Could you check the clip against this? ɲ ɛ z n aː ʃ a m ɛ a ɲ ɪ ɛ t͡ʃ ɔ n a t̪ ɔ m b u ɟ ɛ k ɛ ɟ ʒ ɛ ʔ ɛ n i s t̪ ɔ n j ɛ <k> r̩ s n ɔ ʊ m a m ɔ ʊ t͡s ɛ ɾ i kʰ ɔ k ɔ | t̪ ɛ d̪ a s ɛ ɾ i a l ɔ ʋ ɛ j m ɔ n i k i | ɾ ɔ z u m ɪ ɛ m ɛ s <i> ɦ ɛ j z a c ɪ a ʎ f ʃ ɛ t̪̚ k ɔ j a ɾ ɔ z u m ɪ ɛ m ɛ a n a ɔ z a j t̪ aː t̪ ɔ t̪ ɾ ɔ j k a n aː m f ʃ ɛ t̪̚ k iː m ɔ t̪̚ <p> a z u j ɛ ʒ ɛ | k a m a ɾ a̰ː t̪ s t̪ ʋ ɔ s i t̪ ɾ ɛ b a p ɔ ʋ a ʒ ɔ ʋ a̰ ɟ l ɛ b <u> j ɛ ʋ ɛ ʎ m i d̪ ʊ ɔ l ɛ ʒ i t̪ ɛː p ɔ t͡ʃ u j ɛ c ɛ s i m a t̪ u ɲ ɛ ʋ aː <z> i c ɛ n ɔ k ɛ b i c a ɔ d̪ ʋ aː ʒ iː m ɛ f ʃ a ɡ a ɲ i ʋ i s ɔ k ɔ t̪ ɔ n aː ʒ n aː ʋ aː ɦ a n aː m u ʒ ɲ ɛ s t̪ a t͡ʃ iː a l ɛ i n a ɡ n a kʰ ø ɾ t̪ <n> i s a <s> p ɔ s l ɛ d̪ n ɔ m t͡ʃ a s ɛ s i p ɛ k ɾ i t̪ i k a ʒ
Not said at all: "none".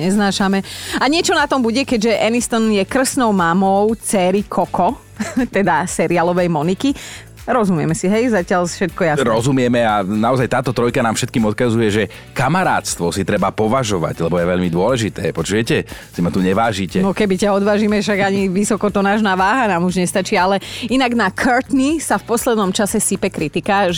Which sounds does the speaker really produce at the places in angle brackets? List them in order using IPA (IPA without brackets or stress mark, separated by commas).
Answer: k, i, k, ɔ, ʒ, n, f